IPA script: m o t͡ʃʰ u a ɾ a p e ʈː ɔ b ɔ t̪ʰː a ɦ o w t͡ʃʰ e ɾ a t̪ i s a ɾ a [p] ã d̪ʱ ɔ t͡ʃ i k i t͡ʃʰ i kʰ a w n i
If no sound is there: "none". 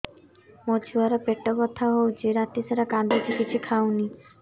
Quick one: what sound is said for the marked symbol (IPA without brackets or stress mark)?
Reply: k